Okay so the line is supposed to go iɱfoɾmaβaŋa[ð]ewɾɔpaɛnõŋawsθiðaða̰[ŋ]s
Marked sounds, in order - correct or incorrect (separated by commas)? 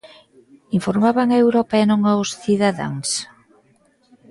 incorrect, correct